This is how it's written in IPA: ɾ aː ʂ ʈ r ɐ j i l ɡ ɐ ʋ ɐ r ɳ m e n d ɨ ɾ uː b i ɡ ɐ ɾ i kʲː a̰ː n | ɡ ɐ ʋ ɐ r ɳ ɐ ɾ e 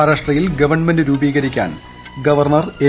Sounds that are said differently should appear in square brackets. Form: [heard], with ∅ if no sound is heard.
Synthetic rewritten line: ɾ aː ʂ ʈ r ɐ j i l ɡ ɐ ʋ ɐ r ɳ m e n d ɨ ɾ uː b [iː] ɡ ɐ ɾ i kʲː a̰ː n | ɡ ɐ ʋ ɐ r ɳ ɐ [r] e